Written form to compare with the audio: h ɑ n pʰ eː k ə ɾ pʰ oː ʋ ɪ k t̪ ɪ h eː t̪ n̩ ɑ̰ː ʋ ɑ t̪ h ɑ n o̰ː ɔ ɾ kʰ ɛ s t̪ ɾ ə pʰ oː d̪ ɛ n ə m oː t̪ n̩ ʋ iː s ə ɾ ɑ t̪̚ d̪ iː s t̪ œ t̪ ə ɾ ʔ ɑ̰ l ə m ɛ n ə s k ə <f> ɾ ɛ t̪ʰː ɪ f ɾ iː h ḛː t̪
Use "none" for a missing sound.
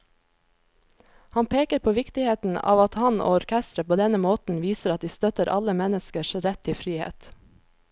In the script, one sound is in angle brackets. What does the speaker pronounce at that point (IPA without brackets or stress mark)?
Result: ʃ